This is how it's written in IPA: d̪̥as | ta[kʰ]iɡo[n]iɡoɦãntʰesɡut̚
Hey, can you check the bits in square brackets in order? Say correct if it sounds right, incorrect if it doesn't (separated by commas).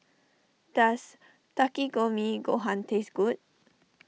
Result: incorrect, incorrect